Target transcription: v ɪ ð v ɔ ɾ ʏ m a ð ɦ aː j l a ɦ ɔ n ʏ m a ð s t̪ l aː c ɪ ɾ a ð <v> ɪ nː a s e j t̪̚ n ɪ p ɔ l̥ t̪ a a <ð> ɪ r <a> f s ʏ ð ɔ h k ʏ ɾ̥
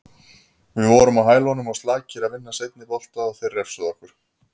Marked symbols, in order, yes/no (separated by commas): yes, no, no